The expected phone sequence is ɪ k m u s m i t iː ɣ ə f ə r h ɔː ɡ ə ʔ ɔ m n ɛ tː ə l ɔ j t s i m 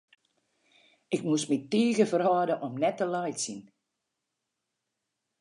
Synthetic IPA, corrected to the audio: ɪ k m u s m i t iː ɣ ə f ə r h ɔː d ə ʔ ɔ m n ɛ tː ə l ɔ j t s i n